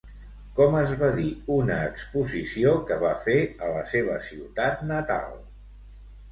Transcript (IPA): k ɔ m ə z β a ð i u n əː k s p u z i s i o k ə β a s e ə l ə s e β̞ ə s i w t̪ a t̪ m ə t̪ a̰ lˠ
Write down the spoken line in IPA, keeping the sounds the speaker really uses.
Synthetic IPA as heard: k ɔ m ə z β a ð i u n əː k s p u z i s i o k ə β a f e ə l ə s e β̞ ə s i w t̪ a t̪ n ə t̪ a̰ lˠ

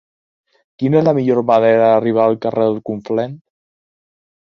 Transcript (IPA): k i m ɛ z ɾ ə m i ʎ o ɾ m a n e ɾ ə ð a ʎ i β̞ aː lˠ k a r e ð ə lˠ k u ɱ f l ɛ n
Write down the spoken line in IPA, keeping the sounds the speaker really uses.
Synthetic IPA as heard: k i n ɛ z l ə m i ʎ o ɾ m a n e ɾ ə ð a r i β̞ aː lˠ k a r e ð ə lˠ k u ɱ f l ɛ n

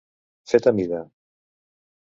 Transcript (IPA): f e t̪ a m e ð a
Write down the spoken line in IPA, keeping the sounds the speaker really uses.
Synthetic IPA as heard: f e t̪ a m i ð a

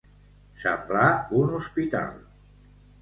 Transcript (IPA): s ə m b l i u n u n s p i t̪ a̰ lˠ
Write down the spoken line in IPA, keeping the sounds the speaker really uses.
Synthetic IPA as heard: s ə m b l a u n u s p i t̪ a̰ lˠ

